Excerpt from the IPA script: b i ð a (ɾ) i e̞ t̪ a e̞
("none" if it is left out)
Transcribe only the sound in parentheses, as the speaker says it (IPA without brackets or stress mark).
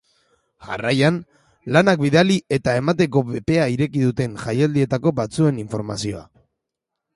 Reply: l